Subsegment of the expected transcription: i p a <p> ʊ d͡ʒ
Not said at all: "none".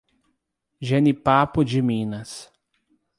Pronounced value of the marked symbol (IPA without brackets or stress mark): p